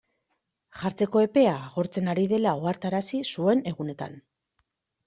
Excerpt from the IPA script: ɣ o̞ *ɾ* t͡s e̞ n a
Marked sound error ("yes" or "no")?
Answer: no